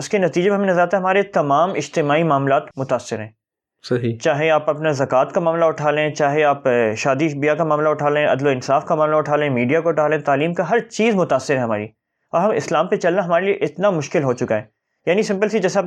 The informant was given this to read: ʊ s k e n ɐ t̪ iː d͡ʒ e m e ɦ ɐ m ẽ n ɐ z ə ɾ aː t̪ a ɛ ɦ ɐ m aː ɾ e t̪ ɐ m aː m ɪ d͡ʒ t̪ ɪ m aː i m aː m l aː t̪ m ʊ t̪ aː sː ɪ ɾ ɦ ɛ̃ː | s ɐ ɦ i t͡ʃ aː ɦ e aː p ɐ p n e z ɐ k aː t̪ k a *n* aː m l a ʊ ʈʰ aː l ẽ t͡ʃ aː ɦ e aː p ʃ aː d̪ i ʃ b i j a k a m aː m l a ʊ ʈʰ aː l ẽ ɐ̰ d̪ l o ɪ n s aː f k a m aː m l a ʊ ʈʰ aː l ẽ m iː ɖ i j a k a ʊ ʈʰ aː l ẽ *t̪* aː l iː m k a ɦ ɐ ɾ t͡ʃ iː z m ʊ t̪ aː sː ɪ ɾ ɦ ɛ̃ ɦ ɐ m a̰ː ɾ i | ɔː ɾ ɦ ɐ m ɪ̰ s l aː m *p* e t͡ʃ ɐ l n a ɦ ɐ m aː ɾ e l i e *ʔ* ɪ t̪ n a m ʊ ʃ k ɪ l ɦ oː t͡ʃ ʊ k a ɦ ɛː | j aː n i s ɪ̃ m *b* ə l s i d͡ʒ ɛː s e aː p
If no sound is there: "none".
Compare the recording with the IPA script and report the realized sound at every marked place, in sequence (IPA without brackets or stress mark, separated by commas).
m, t̪, p, ʔ, p